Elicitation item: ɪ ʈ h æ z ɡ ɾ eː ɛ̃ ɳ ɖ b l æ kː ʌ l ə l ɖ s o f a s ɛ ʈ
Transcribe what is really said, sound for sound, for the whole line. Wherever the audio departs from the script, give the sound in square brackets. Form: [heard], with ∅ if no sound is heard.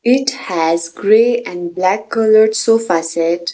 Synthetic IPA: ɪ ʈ h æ z ɡ ɾ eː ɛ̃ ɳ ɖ b l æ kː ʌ l ə [ɾ] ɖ s o f a s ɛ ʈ